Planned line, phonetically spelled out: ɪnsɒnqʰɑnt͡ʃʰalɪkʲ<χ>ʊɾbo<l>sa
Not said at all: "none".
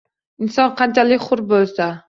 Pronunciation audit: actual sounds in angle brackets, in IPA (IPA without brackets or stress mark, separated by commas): χ, l